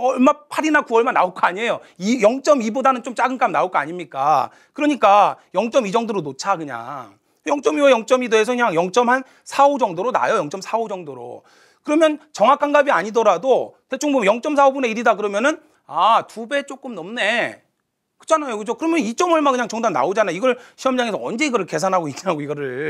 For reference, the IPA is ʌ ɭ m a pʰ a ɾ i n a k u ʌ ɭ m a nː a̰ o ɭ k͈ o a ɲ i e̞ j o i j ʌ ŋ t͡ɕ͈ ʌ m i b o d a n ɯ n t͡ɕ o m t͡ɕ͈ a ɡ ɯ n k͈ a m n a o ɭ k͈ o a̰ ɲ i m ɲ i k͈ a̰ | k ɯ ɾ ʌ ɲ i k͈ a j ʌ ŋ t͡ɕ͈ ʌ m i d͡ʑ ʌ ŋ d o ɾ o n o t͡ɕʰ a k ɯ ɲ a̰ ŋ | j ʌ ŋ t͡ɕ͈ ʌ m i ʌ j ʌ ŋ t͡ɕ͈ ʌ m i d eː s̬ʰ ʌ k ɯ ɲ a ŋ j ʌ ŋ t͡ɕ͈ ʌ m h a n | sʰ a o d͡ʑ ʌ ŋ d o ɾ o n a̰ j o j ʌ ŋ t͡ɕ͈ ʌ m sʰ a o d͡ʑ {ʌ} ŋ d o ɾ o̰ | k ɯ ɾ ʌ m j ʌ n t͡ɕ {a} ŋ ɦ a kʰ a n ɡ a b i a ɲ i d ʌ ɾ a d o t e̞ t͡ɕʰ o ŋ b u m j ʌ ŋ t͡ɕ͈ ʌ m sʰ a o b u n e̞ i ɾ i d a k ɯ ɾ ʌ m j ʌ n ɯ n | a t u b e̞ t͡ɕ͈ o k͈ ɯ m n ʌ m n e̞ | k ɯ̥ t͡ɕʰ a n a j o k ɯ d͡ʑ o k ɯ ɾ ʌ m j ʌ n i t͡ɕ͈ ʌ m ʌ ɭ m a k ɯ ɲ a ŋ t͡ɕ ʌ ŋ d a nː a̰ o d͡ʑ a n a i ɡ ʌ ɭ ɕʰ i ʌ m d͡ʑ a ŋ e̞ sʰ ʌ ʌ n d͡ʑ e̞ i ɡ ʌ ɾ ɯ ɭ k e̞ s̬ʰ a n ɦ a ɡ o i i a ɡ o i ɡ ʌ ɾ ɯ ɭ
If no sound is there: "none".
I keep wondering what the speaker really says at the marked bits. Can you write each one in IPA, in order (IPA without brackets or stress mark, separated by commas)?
ʌ, ʌ